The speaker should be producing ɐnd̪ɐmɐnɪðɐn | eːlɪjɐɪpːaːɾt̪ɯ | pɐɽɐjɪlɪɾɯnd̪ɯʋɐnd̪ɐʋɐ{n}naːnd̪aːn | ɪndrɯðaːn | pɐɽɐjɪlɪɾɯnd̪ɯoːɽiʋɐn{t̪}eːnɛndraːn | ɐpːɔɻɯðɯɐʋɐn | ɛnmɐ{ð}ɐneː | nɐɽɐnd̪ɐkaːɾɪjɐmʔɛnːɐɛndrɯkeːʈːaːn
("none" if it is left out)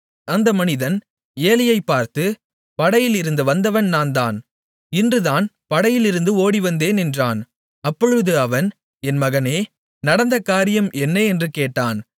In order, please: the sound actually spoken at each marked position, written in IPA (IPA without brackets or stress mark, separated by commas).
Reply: n, d̪, ɣ